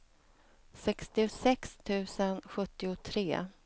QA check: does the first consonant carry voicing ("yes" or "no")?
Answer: no